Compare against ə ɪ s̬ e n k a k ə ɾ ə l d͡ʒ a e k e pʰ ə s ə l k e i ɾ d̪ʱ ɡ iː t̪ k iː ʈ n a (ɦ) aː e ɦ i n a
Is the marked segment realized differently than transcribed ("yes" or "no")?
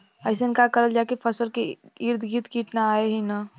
yes